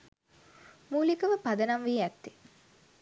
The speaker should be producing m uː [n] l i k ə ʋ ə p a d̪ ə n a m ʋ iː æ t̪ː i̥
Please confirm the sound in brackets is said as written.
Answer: no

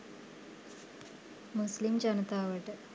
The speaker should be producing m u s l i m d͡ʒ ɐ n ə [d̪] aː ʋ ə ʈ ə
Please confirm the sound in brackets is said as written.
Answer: no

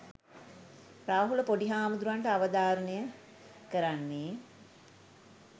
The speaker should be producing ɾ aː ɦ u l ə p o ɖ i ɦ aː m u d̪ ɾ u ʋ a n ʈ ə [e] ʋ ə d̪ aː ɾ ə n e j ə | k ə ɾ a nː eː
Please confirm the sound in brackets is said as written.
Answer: no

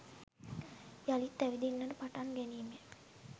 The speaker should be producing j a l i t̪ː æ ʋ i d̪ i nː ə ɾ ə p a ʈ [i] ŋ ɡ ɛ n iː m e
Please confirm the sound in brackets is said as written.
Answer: no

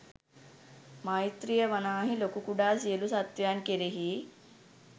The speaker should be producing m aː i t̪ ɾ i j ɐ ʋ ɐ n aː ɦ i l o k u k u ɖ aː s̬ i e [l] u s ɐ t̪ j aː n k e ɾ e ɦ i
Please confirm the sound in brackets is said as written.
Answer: yes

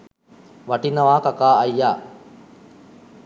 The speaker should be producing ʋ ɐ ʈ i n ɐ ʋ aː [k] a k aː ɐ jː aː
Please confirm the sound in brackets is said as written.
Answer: yes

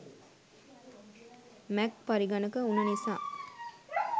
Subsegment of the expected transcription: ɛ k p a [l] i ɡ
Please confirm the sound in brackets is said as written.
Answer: no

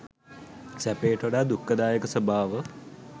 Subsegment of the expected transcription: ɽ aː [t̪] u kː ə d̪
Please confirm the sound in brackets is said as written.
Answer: no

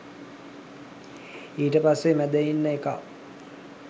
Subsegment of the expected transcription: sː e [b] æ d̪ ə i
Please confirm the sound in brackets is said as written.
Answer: no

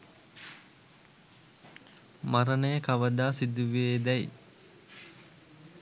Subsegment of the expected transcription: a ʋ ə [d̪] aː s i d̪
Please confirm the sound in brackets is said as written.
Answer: yes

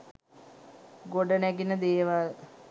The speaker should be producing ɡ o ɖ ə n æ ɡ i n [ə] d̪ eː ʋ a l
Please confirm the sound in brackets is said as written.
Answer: yes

